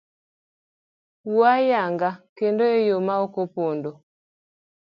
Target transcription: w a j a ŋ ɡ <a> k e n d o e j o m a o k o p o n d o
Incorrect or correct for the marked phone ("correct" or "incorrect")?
correct